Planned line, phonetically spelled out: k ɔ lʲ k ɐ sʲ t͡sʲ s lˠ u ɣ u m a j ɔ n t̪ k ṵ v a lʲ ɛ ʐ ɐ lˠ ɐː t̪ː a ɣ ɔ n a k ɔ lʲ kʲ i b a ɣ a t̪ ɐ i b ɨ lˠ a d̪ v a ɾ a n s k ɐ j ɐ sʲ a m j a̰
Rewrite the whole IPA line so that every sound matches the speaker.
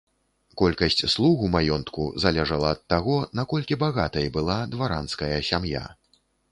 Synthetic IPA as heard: k ɔ lʲ k ɐ sʲ t͡sʲ s lˠ u ɣ u m a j ɔ n t̪ k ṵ z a lʲ ɛ ʐ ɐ lˠ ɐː t̪ː a ɣ ɔ n a k ɔ lʲ kʲ i b a ɣ a t̪ ɐ j b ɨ lˠ a d̪ v a ɾ a n s k ɐ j ɐ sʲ a m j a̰